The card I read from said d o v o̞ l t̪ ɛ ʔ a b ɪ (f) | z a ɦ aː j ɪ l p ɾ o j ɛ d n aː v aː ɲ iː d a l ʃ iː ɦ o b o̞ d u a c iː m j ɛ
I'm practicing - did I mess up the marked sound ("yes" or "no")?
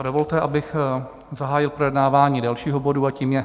yes